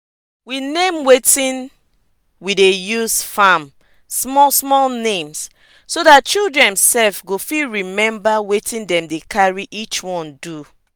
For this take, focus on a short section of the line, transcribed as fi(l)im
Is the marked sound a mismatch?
yes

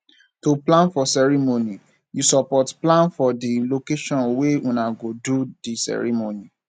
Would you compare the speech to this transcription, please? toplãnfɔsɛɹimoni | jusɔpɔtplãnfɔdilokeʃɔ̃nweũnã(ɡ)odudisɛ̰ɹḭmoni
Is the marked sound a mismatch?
no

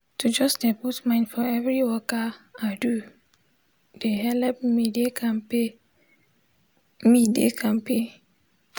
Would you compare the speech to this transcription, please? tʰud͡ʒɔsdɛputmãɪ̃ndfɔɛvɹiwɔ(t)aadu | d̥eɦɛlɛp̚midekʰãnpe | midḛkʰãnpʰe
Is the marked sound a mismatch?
yes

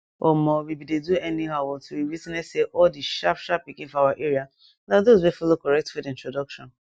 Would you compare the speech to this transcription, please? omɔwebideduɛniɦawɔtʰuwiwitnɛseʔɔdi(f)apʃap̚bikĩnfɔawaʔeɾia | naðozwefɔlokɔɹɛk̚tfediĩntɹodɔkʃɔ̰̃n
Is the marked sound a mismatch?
yes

